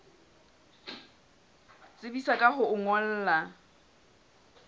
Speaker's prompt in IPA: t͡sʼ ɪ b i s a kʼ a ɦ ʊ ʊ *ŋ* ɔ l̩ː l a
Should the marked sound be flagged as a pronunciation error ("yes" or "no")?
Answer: no